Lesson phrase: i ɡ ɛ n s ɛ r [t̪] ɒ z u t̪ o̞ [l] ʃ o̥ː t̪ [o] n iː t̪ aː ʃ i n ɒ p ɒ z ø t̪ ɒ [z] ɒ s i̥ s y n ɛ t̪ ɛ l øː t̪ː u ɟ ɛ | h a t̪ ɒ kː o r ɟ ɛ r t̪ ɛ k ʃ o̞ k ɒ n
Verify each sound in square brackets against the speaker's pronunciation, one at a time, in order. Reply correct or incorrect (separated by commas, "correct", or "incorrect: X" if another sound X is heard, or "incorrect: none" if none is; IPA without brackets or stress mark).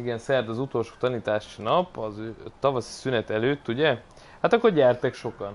incorrect: d̪, correct, incorrect: ɒ, incorrect: v